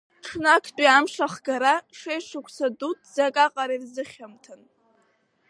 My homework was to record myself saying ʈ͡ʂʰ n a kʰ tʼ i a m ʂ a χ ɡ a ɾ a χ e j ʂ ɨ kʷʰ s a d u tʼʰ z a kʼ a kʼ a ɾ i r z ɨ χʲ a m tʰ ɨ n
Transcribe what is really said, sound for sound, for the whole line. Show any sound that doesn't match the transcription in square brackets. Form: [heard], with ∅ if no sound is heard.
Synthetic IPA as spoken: ʈ͡ʂʰ n a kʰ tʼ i a m ʂ a χ ɡ a ɾ a [ʂ] e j ʂ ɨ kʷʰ s a d u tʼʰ z a kʼ a [qʼ] a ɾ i r z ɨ χʲ a m tʰ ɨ n